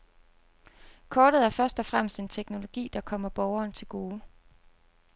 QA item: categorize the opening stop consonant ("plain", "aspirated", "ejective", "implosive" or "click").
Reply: aspirated